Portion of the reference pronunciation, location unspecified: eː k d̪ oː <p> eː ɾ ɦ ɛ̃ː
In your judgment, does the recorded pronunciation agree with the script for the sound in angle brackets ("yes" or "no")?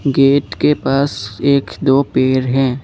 yes